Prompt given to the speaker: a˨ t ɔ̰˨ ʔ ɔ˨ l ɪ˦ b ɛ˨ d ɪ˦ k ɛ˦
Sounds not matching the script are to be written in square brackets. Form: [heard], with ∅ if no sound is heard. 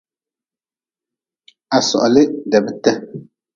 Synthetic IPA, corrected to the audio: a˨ [s] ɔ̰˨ ʔ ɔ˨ l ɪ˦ [d] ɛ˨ [b] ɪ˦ [t] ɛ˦